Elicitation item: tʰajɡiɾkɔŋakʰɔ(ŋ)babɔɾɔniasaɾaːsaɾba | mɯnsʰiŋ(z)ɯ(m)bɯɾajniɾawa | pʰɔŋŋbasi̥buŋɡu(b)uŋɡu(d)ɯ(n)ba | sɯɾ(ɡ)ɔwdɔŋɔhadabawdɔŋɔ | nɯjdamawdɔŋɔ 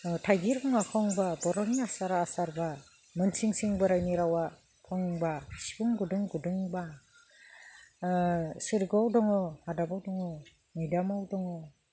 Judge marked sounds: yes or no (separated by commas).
yes, no, no, no, yes, no, yes